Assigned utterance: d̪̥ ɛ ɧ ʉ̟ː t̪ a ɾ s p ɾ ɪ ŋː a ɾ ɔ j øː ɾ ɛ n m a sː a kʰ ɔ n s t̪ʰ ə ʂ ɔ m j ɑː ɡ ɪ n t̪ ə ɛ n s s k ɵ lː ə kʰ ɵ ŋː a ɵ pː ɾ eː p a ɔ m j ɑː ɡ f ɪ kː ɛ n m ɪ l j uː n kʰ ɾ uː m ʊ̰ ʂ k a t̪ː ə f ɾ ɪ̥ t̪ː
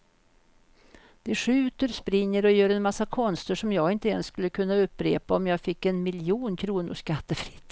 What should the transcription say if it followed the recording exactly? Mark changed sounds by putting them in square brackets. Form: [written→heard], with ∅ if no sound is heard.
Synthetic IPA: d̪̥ ɛ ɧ ʉ̟ː t̪ [a→ə] ɾ s p ɾ ɪ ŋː [a→ə] ɾ ɔ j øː ɾ ɛ n m a sː a kʰ ɔ n s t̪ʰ ə ʂ ɔ m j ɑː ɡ ɪ n t̪ ə ɛ n s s k ɵ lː ə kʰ ɵ [ŋː→nː] a ɵ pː ɾ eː p a ɔ m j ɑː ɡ f ɪ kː ɛ n m ɪ l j uː n kʰ ɾ uː [m→n] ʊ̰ ʂ k a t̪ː ə f ɾ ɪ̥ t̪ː